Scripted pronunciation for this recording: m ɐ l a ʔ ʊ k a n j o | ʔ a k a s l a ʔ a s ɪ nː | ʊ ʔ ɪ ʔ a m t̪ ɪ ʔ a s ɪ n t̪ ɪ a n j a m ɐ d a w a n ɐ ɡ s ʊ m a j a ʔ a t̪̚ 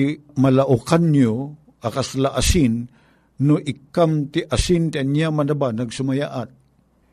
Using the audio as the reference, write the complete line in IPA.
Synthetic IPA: m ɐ l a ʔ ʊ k a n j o | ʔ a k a s l a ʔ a s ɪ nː | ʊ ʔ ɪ k a m t̪ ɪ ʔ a s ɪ n t̪ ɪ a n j a m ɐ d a b a n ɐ ɡ s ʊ m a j a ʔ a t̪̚